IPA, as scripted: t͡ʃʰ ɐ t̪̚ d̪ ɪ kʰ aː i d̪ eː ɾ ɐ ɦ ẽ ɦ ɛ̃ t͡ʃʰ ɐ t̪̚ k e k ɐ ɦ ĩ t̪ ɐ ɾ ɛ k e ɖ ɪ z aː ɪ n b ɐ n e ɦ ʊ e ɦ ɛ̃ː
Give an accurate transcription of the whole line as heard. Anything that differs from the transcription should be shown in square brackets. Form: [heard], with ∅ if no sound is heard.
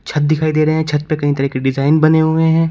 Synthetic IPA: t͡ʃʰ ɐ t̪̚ d̪ ɪ kʰ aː i d̪ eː ɾ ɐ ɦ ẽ ɦ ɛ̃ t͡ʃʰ ɐ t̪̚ [p] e k ɐ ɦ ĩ t̪ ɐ ɾ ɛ k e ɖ ɪ z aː ɪ n b ɐ n e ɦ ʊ e ɦ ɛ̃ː

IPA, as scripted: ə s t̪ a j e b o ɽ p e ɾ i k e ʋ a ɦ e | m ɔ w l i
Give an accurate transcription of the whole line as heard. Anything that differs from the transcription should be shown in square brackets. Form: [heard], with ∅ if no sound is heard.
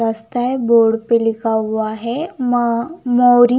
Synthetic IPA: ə s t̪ a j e b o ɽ p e [l] i k [a] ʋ a ɦ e | m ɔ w [ɾ] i

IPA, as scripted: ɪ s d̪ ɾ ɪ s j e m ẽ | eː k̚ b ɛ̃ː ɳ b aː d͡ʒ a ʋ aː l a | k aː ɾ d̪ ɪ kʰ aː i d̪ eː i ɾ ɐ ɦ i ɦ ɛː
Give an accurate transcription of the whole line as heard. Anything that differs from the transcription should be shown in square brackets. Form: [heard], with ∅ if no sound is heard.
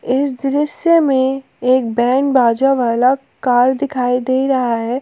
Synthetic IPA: ɪ s d̪ ɾ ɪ s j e m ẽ | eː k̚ b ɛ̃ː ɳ b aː d͡ʒ a ʋ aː l a | k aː ɾ d̪ ɪ kʰ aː i d̪ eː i ɾ ɐ ɦ [a] ɦ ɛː

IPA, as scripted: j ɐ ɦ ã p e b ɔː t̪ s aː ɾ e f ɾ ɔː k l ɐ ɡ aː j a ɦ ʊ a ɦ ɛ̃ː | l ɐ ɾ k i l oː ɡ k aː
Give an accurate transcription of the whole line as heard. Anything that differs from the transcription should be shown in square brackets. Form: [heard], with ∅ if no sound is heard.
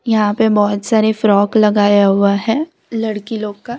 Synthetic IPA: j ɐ ɦ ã p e b ɔː t̪ s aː ɾ e f ɾ ɔː k l ɐ ɡ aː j a ɦ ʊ a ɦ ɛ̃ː | l ɐ [ɽ] k i l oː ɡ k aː

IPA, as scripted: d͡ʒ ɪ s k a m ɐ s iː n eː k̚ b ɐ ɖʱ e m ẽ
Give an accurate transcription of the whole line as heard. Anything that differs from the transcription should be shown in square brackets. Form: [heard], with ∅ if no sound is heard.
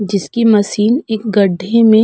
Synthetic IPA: d͡ʒ ɪ s k [i] m ɐ s iː n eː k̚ [ɡ] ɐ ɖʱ e m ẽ

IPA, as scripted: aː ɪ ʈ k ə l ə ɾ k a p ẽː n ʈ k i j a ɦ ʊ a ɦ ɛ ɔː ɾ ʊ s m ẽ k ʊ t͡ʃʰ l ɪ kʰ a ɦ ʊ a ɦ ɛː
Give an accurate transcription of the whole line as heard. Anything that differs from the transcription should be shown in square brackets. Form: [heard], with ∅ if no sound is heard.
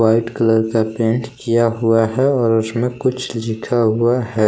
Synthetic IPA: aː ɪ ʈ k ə l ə ɾ k a p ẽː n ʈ k i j a ɦ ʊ a ɦ ɛ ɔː ɾ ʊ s m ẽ k ʊ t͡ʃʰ l ɪ kʰ a ɦ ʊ a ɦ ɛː

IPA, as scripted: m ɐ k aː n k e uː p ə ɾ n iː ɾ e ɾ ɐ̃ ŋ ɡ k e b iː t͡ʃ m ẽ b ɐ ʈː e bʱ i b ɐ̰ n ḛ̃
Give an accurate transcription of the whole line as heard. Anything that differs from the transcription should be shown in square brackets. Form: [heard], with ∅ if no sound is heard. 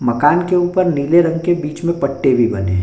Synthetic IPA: m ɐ k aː n k e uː p ə ɾ n iː [l] e ɾ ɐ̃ ŋ ɡ k e b iː t͡ʃ m ẽ [p] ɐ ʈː e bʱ i b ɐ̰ n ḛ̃

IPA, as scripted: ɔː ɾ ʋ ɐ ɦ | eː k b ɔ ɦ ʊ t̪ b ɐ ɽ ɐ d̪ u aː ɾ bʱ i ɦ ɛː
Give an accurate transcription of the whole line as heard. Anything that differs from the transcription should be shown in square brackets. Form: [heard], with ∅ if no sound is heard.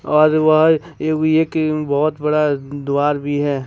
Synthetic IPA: ɔː ɾ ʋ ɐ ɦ | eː k b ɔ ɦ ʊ t̪ b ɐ ɽ [a] d̪ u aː ɾ bʱ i ɦ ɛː

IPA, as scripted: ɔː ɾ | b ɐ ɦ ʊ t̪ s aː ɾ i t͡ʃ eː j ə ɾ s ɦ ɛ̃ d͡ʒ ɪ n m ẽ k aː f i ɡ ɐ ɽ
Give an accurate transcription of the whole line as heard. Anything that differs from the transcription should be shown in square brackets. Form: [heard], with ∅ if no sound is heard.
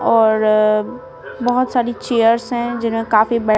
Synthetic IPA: ɔː ɾ | b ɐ ɦ ʊ t̪ s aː ɾ i t͡ʃ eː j ə ɾ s ɦ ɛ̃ d͡ʒ ɪ n m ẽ k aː f i [b] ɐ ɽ

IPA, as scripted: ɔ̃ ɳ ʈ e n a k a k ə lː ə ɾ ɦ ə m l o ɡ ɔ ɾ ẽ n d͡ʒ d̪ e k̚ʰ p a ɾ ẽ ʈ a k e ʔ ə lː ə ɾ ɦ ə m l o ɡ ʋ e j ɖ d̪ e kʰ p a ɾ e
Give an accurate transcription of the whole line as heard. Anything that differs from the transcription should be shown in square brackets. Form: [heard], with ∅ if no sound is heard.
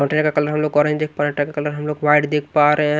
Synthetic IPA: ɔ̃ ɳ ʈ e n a k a k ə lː ə ɾ ɦ ə m l o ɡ ɔ ɾ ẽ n d͡ʒ d̪ e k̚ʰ p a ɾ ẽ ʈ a k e [k] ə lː ə ɾ ɦ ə m l o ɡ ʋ [a] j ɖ d̪ e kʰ p a ɾ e

